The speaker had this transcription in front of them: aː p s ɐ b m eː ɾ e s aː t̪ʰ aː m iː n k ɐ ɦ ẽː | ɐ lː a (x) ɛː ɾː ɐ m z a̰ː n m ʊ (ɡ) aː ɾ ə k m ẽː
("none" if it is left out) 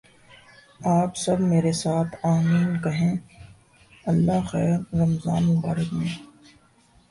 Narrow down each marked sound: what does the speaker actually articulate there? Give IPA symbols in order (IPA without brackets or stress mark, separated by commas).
x, b